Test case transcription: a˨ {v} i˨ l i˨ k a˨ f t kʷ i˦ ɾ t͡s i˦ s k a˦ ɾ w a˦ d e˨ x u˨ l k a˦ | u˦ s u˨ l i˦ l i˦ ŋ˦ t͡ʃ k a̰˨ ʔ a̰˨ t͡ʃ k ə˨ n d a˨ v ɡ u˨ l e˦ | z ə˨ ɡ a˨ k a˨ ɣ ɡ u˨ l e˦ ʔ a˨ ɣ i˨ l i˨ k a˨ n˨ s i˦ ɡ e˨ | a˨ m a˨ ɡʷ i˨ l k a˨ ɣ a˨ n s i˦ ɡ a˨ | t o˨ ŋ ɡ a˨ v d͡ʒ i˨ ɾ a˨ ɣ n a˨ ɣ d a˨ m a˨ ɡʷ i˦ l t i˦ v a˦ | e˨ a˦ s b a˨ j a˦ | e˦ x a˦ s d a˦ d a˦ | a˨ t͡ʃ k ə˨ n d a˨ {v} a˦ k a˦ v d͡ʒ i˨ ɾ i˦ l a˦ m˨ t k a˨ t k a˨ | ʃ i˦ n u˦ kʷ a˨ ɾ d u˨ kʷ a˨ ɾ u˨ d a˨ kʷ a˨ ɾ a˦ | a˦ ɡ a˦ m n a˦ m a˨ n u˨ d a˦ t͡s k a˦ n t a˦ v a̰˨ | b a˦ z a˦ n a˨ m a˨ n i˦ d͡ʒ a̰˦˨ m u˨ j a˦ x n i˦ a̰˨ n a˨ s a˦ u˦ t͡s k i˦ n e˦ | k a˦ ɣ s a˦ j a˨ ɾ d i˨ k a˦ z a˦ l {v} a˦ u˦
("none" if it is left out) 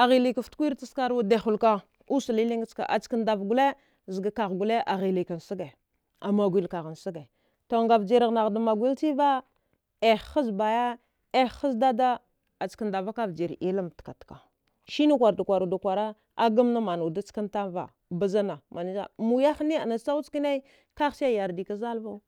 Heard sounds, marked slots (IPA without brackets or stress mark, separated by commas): ɣ, v, v